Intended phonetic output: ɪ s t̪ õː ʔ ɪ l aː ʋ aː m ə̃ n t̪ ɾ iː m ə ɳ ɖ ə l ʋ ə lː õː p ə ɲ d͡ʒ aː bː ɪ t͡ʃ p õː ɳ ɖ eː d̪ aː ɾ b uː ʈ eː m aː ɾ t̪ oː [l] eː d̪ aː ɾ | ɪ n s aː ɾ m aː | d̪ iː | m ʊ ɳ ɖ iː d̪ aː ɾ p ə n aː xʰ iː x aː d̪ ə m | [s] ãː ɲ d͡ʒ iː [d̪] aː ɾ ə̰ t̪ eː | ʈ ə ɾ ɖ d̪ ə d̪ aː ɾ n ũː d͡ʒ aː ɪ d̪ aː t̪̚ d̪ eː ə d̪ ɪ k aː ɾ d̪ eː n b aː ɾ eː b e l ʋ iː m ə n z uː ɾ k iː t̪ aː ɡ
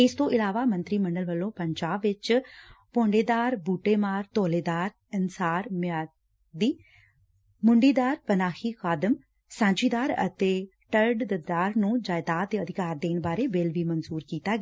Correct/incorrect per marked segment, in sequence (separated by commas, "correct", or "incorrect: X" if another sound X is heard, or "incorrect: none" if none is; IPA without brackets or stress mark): correct, correct, correct